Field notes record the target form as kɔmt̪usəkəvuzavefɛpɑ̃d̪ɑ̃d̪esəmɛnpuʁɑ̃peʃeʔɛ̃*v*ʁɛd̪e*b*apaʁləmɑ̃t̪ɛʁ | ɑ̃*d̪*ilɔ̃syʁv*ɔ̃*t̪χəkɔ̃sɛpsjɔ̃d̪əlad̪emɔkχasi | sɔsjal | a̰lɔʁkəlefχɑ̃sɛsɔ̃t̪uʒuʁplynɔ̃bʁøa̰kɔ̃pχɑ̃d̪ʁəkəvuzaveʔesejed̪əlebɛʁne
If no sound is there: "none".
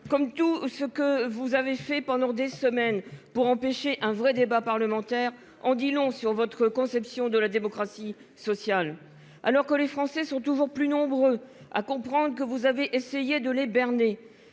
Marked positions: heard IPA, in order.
v, b, d̪, ɔ

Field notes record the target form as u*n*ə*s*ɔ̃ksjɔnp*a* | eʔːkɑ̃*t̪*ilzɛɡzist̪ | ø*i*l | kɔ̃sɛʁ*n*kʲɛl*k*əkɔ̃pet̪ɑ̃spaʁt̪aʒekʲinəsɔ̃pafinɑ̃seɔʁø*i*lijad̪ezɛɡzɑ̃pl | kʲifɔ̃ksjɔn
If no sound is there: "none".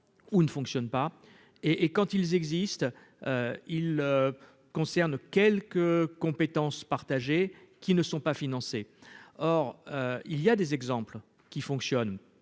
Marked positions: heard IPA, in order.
n, f, a, t̪, i, n, k, i

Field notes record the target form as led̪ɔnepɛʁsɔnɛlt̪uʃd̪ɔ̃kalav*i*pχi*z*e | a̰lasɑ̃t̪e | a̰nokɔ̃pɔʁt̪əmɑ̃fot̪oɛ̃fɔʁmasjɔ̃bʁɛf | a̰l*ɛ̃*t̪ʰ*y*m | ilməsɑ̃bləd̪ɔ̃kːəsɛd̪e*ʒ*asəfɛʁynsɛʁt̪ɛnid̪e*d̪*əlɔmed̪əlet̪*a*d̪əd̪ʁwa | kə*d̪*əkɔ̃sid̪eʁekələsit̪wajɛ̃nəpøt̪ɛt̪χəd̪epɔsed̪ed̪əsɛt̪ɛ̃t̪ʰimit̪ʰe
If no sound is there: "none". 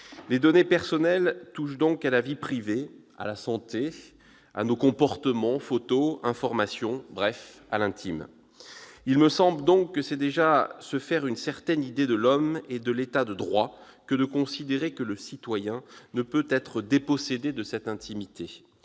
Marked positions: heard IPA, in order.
i, v, ɛ̃, i, ʒ, d̪, a, d̪

